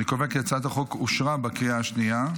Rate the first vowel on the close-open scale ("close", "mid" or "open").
close